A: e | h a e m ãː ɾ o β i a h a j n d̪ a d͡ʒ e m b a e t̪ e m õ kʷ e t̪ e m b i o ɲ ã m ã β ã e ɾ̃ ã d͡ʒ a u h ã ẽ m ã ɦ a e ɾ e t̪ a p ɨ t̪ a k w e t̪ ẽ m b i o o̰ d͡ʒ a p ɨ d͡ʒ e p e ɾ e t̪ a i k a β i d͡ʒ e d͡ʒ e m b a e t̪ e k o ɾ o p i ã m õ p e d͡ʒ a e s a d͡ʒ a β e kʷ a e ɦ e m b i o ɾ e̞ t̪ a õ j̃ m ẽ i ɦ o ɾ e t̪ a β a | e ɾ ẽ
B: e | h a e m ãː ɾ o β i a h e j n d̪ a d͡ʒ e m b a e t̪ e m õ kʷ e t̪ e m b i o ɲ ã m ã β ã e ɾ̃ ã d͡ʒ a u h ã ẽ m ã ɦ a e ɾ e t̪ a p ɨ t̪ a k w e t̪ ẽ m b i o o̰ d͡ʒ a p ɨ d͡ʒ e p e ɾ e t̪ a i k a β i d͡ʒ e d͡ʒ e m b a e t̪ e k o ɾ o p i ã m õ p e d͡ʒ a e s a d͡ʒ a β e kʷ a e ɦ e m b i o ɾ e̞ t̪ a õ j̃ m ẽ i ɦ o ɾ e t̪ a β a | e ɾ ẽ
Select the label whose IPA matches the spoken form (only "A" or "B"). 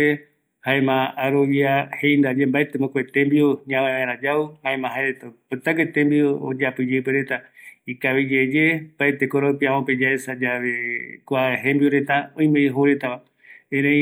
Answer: B